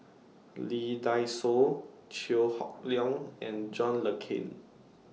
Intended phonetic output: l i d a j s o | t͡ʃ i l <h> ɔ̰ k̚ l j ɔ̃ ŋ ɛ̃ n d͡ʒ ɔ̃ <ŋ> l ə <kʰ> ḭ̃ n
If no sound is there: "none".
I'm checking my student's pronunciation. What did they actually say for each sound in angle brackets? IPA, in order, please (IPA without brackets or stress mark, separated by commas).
h, n, kʰ